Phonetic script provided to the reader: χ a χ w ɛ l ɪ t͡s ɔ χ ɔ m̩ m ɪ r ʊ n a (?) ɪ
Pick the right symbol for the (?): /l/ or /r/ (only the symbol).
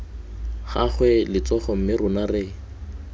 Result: r